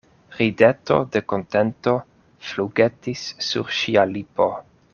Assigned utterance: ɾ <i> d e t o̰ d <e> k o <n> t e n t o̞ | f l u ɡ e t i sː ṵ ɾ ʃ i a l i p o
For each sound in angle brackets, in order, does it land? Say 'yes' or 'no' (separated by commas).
yes, yes, yes